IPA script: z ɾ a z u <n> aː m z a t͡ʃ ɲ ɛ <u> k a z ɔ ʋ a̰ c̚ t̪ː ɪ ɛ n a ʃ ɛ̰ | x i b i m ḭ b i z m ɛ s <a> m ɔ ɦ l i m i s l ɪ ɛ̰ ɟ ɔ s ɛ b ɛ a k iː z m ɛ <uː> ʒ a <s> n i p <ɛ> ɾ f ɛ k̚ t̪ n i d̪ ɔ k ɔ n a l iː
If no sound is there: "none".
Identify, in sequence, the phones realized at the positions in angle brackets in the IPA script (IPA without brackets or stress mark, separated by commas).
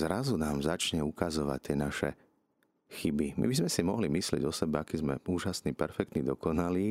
n, u, i, uː, s, ɛ